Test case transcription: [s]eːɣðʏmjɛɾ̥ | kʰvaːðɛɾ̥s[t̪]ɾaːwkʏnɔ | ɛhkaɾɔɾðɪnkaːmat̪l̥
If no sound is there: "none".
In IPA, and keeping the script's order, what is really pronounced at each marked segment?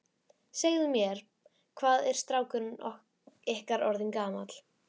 s, t̪

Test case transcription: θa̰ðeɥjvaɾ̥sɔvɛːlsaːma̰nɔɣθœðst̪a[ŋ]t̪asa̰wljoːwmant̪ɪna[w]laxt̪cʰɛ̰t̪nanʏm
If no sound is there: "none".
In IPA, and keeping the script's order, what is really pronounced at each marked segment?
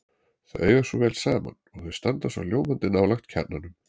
n, w

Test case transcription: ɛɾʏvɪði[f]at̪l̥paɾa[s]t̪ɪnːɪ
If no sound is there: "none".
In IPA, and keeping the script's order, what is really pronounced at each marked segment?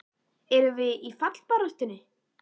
f, s

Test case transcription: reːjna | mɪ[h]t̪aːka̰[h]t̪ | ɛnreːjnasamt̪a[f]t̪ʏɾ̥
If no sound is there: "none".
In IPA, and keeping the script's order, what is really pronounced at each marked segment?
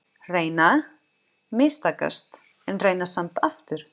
s, s, f

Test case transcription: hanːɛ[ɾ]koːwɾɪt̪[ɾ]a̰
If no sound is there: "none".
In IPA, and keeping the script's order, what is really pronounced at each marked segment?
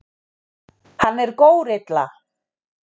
ɾ, l

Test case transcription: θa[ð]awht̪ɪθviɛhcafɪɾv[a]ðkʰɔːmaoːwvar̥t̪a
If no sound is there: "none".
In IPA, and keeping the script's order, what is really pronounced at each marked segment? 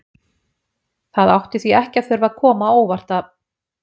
ð, a

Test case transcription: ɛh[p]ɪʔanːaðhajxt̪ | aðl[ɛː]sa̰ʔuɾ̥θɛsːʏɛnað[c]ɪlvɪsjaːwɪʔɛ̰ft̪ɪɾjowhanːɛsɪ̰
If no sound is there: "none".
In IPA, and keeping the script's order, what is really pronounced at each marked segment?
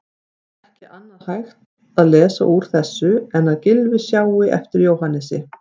c, ɛː, c

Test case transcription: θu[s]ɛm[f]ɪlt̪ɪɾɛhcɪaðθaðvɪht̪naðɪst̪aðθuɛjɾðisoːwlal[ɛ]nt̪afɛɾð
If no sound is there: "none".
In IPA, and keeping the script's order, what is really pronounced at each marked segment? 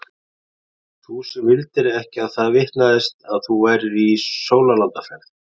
s, v, a

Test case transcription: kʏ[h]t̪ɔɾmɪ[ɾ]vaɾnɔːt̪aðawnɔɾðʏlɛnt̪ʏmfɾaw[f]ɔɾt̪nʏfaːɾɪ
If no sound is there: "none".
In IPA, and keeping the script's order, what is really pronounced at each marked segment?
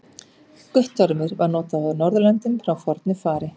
h, ɾ, f

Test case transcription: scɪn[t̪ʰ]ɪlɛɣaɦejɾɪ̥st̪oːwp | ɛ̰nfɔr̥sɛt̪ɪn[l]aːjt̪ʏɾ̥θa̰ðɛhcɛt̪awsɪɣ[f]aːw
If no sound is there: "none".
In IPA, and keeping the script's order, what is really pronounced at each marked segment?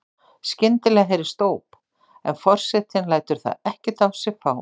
t̪, l, f

